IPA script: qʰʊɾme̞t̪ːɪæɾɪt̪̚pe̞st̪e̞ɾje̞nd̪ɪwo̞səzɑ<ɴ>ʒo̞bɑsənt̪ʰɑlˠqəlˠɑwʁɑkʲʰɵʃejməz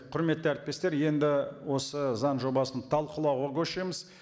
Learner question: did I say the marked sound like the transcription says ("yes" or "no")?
no